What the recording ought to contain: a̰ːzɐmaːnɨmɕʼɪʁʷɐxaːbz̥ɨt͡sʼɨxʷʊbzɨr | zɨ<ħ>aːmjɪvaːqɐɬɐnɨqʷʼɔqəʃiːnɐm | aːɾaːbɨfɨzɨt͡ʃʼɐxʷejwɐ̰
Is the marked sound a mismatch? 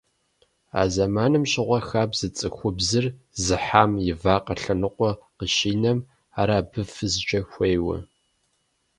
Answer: no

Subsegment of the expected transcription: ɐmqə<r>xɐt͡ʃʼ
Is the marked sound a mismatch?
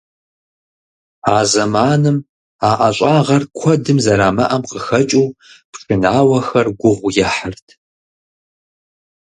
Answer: yes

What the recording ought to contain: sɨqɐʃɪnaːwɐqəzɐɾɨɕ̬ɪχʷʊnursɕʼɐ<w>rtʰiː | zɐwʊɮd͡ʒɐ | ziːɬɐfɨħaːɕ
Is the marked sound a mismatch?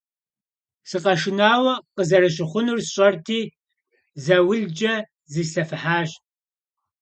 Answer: yes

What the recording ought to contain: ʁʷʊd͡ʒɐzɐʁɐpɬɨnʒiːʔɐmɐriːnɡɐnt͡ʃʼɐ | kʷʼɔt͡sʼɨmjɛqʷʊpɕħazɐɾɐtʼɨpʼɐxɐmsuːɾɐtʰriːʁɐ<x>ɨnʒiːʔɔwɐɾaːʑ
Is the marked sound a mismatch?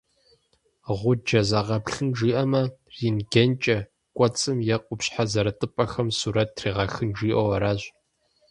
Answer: no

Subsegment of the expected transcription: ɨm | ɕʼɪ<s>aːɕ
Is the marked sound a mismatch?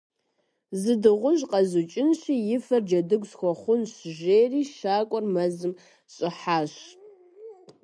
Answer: yes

